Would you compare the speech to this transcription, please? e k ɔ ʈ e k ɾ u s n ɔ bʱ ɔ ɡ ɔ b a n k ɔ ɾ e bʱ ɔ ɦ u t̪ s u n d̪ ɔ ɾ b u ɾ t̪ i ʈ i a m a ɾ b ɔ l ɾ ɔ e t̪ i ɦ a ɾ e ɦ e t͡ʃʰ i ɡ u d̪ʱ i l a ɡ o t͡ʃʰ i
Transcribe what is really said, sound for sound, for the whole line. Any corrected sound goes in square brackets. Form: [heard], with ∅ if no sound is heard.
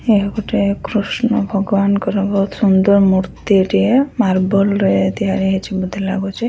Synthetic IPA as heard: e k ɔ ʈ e k ɾ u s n ɔ bʱ ɔ ɡ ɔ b a n k ɔ ɾ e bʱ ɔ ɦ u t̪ s u n d̪ ɔ ɾ [m] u ɾ t̪ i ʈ i [e] m a ɾ b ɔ l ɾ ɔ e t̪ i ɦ a ɾ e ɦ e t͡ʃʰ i [b] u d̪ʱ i l a ɡ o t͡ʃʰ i